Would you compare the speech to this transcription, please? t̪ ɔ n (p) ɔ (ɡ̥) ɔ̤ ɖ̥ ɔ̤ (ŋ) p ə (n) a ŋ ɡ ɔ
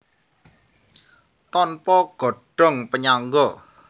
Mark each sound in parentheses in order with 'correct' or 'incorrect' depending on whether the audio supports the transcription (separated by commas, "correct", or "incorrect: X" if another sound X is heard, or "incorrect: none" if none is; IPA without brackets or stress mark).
correct, correct, correct, incorrect: ɲ